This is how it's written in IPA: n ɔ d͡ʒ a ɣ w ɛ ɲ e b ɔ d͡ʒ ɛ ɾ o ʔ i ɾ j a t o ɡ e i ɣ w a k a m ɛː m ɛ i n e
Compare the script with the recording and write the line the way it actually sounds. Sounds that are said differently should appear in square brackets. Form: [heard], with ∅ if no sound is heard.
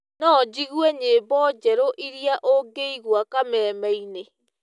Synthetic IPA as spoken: n ɔ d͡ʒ [i] ɣ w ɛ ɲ e b ɔ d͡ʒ ɛ ɾ o ʔ i ɾ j a [ʔ] o ɡ e i ɣ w a k a m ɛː m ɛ i n e